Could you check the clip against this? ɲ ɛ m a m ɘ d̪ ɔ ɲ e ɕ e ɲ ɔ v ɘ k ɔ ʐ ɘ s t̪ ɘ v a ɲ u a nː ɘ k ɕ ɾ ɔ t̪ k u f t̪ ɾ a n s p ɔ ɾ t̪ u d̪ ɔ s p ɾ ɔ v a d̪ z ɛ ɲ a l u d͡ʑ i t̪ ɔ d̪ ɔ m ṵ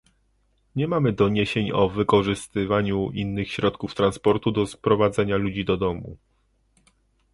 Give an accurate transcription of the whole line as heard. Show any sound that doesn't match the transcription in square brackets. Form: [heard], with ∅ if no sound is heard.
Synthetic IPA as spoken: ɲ ɛ m a m ɘ d̪ ɔ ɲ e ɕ e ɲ ɔ v ɘ k ɔ ʐ ɘ s t̪ ɘ v a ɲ u [i] nː ɘ [x] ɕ ɾ ɔ t̪ k u f t̪ ɾ a n s p ɔ ɾ t̪ u d̪ ɔ s p ɾ ɔ v a d̪ z ɛ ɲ a l u d͡ʑ i [d̪] ɔ d̪ ɔ m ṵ

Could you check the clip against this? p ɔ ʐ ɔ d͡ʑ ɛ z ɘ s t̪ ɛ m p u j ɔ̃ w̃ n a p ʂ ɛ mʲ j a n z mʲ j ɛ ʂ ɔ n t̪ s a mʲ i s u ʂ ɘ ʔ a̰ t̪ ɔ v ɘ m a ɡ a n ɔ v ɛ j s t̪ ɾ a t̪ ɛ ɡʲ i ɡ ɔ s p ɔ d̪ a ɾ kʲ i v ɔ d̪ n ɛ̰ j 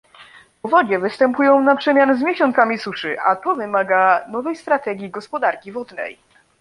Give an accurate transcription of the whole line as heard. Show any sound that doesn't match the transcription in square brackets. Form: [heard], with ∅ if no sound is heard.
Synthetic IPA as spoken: p ɔ [v] ɔ d͡ʑ ɛ [v] ɘ s t̪ ɛ m p u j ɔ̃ w̃ n a p ʂ ɛ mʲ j a n z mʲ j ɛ [ɕ] ɔ n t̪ s a mʲ i s u ʂ ɘ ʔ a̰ t̪ ɔ v ɘ m a ɡ a n ɔ v ɛ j s t̪ ɾ a t̪ ɛ ɡʲ i ɡ ɔ s p ɔ d̪ a ɾ kʲ i v ɔ d̪ n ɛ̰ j

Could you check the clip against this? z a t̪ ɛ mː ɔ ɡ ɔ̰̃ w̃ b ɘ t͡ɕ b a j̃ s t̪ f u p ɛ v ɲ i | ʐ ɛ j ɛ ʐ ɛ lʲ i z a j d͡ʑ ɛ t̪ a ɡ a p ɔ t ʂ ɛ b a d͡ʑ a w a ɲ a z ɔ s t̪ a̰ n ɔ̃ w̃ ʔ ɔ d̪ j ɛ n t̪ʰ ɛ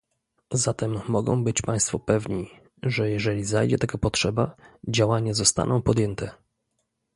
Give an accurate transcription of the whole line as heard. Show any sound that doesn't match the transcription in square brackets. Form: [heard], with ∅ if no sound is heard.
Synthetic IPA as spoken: z a t̪ ɛ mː ɔ ɡ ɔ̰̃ w̃ b ɘ t͡ɕ [p] a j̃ s t̪ f [ɔ] p ɛ v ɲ i | ʐ ɛ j ɛ ʐ ɛ lʲ i z a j d͡ʑ ɛ t̪ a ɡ a p ɔ t ʂ ɛ b a d͡ʑ a w a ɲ a z ɔ s t̪ a̰ n ɔ̃ w̃ [p] ɔ d̪ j ɛ n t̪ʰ ɛ

